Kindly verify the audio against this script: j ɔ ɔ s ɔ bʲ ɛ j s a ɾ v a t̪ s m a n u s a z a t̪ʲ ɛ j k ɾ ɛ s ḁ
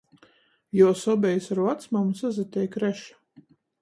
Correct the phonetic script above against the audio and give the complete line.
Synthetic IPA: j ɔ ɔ s ɔ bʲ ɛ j s a ɾ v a t̪ s m a m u s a z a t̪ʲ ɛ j k ɾ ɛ ʃ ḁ